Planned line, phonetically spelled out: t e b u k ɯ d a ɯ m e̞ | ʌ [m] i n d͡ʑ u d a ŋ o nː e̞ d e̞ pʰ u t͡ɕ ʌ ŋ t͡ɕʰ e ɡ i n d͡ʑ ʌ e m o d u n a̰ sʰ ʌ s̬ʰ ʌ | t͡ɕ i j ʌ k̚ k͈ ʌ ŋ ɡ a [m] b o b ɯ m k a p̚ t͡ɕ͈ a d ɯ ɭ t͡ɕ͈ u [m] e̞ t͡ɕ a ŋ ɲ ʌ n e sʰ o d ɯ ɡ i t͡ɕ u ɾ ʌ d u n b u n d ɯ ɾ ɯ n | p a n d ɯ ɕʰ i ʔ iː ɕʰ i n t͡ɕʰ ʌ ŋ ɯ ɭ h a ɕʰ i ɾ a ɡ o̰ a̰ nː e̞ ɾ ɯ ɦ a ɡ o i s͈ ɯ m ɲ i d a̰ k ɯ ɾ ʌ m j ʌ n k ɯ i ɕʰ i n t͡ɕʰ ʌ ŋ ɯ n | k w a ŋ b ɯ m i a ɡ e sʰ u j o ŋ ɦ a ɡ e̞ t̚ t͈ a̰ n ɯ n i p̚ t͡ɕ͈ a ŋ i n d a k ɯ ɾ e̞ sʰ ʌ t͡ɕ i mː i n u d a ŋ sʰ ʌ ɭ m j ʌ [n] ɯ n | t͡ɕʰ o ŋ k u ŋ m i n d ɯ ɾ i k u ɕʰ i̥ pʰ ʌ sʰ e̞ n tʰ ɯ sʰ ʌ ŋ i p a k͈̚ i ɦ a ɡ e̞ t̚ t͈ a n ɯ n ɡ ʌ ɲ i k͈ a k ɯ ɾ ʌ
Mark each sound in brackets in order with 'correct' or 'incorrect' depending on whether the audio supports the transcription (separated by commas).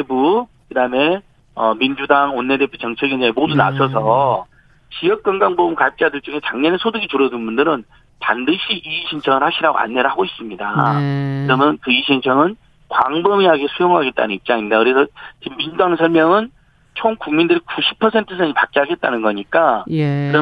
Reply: correct, incorrect, incorrect, incorrect